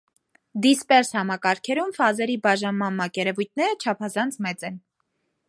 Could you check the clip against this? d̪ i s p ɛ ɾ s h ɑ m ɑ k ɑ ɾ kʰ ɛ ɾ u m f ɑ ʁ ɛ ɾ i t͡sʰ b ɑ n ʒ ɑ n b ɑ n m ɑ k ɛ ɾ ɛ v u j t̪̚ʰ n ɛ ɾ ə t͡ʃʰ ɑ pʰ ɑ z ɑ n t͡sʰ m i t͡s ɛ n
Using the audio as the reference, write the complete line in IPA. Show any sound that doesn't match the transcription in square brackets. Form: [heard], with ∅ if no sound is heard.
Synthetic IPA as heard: d̪ i s p ɛ ɾ s h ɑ m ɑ k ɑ ɾ kʰ ɛ ɾ u m f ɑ [z] ɛ ɾ i [∅] b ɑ [∅] ʒ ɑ n [m] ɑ n m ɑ k ɛ ɾ ɛ v u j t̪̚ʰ n ɛ ɾ ə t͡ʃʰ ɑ pʰ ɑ z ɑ n t͡sʰ m [ɛ] t͡s ɛ n